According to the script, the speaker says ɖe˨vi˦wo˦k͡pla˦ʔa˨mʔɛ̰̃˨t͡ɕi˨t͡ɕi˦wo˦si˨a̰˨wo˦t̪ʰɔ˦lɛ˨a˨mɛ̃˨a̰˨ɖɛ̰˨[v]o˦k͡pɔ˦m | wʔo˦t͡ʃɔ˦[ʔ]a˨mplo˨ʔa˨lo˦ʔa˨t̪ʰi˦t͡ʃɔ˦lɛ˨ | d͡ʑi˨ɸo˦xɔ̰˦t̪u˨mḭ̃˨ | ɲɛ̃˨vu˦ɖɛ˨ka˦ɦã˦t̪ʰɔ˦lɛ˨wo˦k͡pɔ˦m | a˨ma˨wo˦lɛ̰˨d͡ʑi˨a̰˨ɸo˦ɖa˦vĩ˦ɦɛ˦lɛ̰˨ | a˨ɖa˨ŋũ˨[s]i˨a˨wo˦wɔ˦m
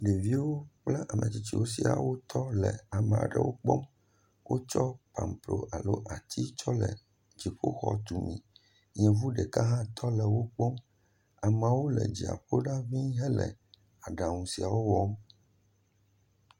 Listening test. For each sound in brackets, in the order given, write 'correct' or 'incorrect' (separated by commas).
incorrect, incorrect, correct